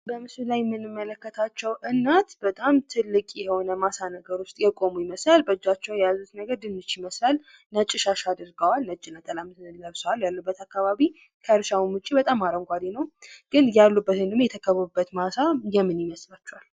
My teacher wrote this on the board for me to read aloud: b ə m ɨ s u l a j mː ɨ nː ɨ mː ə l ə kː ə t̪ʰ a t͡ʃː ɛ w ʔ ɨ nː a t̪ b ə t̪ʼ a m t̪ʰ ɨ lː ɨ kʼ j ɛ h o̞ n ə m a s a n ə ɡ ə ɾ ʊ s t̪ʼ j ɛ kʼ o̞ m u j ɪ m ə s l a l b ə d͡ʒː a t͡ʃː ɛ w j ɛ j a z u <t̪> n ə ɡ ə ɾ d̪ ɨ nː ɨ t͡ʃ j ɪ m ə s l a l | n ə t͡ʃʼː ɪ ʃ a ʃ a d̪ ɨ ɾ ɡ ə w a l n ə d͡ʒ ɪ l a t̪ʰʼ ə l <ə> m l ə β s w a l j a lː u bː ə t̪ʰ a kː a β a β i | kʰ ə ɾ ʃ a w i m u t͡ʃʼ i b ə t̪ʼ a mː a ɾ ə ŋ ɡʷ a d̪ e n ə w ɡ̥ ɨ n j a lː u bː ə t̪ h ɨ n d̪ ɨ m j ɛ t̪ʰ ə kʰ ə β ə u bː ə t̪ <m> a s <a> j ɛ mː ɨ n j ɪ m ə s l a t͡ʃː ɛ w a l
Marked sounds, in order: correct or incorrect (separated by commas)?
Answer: correct, incorrect, correct, correct